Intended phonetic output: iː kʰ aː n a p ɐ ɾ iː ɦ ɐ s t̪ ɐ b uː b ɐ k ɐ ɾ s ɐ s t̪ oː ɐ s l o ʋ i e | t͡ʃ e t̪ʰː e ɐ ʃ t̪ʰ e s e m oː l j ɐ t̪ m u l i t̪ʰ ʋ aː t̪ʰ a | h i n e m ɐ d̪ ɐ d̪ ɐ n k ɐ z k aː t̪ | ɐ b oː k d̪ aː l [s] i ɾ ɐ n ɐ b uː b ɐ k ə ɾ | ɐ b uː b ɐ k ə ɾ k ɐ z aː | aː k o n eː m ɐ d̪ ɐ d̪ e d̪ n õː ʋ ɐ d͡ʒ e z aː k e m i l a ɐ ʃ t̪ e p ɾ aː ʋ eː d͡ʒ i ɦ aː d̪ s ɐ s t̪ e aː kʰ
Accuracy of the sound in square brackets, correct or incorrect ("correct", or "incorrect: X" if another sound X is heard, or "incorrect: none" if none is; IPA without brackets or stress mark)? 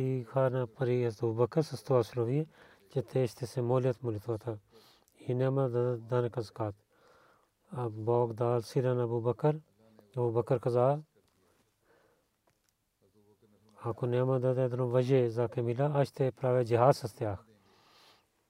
correct